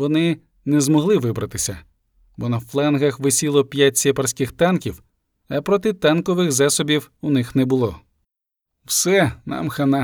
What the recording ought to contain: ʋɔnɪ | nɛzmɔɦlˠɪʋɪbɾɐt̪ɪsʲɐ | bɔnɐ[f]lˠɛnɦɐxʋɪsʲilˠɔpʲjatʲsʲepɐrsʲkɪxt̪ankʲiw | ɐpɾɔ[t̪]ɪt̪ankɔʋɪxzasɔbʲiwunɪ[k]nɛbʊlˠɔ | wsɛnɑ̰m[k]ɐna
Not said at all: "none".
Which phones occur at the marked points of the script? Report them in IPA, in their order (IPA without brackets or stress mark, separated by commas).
f, t̪, x, x